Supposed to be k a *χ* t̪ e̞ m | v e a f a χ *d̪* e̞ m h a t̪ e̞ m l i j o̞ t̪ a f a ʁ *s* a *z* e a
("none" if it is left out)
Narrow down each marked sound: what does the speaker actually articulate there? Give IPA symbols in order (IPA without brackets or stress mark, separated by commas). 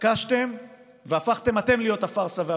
ʃ, t̪, s, v